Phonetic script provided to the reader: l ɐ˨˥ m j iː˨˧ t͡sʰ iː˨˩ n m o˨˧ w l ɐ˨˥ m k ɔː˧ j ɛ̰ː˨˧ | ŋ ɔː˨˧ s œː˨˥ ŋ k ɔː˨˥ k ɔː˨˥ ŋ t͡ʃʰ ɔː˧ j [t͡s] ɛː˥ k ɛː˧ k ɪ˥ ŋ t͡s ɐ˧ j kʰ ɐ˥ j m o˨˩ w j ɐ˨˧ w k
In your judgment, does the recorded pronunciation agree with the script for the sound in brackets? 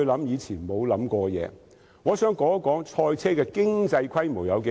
no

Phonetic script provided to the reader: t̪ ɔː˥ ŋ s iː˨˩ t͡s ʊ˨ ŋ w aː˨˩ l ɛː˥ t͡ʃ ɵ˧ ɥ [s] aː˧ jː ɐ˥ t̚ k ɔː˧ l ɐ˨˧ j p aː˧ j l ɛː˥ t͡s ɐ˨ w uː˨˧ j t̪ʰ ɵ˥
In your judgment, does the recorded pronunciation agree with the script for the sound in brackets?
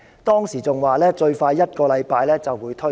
no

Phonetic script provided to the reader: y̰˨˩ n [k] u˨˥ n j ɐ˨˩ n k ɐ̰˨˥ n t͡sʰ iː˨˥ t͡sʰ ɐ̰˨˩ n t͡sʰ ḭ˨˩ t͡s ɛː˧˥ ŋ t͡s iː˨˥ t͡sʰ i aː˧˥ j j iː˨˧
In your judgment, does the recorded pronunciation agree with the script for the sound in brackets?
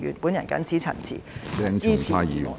no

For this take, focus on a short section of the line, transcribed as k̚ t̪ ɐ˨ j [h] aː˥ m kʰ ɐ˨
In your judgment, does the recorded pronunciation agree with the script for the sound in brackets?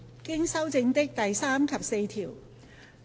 no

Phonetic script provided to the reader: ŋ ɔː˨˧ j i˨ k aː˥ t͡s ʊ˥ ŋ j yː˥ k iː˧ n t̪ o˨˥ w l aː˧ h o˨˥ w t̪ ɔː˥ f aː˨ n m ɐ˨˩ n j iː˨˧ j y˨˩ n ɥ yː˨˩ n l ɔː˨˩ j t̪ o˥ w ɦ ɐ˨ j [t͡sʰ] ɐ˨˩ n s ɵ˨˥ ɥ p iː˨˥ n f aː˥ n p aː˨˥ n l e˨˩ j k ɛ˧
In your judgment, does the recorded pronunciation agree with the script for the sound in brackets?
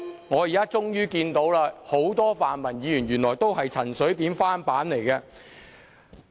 yes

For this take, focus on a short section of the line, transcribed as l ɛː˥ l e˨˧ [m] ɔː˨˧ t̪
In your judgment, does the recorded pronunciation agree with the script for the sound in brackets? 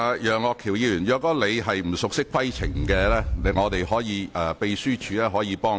no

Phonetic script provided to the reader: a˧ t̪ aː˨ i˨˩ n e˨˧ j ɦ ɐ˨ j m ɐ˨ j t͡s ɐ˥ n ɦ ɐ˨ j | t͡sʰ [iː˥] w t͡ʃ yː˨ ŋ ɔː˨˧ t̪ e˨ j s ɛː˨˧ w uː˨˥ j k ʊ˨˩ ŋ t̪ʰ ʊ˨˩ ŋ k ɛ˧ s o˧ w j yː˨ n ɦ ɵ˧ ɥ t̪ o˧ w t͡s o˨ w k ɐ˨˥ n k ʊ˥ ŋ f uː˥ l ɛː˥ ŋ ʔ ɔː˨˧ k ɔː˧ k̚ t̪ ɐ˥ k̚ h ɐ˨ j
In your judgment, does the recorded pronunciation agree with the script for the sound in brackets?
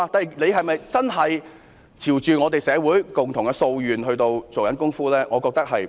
no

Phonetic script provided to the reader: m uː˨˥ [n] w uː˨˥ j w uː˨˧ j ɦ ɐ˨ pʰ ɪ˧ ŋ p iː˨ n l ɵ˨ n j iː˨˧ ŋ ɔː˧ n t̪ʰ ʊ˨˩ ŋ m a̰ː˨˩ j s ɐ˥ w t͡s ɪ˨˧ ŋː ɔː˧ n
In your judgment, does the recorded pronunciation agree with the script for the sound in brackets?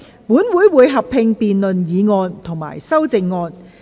yes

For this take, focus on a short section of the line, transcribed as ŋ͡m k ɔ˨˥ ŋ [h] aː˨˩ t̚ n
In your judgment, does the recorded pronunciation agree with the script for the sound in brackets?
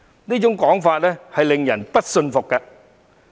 no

